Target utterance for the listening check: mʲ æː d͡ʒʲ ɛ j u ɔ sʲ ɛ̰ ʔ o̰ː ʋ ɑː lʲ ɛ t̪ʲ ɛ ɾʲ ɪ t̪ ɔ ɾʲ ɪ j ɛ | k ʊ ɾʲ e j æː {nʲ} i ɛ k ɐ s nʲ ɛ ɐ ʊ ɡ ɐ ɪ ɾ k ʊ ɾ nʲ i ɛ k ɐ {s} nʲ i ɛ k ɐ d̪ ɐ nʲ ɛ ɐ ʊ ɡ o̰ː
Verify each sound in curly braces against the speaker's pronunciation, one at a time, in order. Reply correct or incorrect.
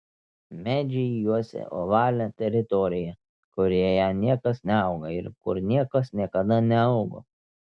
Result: correct, correct

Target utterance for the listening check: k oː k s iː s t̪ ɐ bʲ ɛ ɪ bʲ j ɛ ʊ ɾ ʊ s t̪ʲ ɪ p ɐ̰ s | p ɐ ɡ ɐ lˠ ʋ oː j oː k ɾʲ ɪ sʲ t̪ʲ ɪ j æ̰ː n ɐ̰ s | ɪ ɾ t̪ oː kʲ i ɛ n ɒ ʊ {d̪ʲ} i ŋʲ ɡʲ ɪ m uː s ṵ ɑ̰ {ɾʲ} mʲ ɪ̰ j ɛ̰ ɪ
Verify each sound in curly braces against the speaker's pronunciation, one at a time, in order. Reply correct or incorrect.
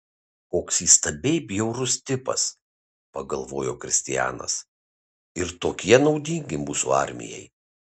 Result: correct, correct

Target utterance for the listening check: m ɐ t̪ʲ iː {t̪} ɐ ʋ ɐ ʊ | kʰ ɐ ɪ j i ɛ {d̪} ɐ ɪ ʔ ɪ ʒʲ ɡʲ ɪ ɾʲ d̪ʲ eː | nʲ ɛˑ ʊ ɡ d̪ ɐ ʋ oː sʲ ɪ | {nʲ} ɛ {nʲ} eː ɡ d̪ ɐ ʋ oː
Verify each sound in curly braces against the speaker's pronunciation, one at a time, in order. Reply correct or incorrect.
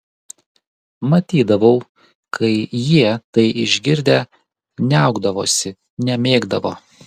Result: incorrect: d̪, incorrect: t̪, correct, incorrect: mʲ

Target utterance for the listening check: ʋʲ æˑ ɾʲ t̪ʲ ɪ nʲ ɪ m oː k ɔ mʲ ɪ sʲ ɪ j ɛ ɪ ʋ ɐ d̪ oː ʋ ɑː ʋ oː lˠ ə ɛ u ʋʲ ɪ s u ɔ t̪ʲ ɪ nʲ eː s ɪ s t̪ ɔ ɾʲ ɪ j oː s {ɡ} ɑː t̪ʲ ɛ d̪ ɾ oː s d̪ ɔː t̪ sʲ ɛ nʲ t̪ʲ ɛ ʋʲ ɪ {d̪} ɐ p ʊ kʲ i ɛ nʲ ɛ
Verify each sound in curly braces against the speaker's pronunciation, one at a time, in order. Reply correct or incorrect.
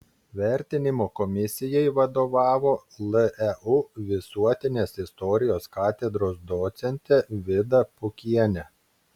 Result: incorrect: k, correct

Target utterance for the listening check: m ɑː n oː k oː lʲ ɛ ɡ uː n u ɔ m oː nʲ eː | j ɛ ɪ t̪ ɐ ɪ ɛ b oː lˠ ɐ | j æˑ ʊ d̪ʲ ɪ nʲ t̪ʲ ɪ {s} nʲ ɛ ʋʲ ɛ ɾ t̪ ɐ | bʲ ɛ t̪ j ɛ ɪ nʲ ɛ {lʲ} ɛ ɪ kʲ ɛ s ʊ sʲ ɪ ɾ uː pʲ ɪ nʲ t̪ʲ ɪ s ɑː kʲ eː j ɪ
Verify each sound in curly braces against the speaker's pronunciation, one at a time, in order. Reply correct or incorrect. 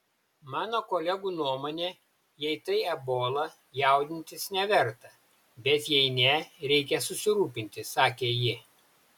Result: correct, incorrect: ɾʲ

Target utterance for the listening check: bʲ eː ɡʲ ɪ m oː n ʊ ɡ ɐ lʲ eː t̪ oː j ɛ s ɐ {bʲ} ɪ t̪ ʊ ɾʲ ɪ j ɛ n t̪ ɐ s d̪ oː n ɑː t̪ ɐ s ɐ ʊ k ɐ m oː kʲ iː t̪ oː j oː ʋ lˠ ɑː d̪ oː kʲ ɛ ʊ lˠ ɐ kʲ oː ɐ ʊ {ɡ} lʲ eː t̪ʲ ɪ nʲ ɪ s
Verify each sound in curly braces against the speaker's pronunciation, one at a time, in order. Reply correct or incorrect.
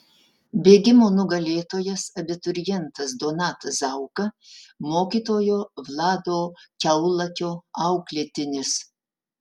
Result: correct, incorrect: k

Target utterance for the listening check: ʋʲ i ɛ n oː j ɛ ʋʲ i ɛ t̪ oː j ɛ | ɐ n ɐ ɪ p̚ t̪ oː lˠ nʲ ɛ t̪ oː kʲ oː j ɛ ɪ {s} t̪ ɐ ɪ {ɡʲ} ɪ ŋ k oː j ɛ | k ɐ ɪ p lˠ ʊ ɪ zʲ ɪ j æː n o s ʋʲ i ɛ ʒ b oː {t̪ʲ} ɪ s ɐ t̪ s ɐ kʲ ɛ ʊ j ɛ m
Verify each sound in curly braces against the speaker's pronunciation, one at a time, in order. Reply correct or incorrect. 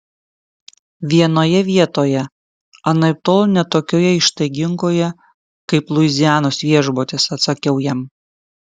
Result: incorrect: ʃ, correct, correct

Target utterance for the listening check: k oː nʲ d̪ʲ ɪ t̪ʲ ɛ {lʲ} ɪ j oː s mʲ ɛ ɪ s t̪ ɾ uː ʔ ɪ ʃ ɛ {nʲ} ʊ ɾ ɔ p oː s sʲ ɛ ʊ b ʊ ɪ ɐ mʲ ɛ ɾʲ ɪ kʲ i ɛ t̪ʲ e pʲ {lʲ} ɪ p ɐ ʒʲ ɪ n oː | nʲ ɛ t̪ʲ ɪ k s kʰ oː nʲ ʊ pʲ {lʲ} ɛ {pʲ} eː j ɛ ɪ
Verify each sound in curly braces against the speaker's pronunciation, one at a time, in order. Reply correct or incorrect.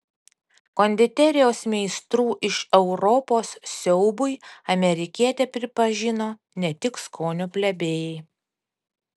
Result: incorrect: ɾʲ, incorrect: none, incorrect: ɾʲ, correct, incorrect: bʲ

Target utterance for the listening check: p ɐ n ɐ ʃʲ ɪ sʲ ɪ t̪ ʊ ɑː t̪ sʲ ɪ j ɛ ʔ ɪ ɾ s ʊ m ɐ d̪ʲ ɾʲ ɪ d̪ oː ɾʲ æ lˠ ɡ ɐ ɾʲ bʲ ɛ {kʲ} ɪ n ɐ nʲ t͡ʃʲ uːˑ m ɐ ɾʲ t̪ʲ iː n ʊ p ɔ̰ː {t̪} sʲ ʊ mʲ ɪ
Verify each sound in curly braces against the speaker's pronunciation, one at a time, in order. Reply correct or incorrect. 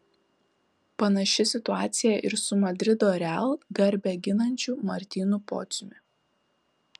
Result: incorrect: ɡʲ, correct

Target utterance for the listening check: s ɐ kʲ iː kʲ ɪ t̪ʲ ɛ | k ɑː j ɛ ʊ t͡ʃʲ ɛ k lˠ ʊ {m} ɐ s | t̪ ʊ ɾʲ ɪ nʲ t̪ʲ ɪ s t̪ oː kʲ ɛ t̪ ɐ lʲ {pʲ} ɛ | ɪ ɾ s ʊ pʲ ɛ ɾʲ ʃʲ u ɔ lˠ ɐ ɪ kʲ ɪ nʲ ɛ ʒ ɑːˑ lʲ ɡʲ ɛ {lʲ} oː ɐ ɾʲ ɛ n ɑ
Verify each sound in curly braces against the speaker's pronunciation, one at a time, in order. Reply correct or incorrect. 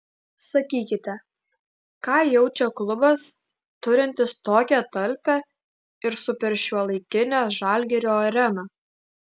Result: incorrect: b, correct, incorrect: ɾʲ

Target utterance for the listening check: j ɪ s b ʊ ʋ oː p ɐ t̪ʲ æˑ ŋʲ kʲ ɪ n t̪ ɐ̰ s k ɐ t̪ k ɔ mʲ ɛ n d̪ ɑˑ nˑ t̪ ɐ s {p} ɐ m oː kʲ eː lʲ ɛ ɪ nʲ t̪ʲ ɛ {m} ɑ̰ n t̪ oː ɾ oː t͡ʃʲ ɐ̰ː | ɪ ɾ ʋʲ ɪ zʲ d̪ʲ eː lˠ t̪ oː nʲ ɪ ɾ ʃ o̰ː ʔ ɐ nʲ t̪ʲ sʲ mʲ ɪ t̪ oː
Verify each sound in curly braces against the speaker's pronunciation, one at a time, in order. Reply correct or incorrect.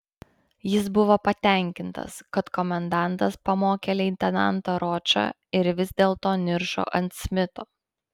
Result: correct, incorrect: n

